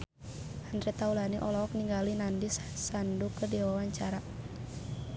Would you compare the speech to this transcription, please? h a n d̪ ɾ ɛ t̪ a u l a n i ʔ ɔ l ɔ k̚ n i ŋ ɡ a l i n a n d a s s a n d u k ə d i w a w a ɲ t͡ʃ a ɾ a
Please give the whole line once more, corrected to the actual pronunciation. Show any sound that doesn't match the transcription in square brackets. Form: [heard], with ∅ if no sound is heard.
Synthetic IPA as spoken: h a n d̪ ɾ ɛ t̪ a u l a n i ʔ ɔ l ɔ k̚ n i ŋ ɡ a l i n a n d [i] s s a n d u k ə d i w a w a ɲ t͡ʃ a ɾ a